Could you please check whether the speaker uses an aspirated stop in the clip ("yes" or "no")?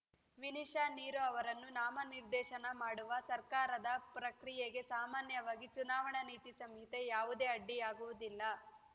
no